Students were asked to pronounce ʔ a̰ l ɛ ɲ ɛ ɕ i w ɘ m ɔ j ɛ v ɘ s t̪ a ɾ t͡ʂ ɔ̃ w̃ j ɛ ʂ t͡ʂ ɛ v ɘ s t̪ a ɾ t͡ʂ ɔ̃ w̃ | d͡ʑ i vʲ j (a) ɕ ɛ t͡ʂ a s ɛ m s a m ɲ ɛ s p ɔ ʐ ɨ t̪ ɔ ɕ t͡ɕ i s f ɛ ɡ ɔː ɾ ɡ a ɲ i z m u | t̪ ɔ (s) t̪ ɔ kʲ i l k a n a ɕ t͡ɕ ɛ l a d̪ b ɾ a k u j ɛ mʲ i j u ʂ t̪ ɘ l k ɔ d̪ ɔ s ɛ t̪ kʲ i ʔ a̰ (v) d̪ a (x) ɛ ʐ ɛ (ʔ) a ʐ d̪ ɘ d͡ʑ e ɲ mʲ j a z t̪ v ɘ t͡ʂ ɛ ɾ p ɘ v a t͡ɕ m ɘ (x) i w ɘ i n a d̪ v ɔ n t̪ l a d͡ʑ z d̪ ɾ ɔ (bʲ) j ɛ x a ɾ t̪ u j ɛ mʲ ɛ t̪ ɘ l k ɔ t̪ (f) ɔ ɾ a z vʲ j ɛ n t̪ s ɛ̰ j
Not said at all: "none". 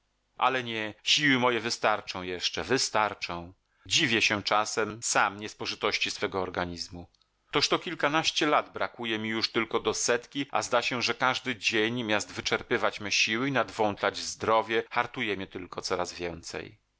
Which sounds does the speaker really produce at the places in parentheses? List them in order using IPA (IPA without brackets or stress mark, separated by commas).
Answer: ɛ, ʂ, z, ɕ, k, ɕ, vʲ, s